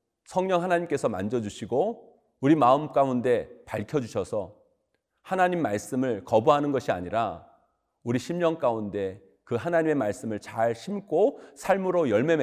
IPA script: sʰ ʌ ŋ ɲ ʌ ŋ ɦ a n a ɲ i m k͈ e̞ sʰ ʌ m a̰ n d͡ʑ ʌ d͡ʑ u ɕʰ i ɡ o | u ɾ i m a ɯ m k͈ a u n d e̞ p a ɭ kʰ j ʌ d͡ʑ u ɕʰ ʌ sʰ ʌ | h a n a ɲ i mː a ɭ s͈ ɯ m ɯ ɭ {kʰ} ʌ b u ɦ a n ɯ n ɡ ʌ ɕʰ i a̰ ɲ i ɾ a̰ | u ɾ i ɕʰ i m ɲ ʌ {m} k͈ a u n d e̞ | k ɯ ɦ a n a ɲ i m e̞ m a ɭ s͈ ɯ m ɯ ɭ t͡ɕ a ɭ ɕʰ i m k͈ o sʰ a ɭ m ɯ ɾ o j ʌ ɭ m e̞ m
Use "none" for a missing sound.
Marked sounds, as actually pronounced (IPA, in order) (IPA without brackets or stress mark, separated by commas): k, ŋ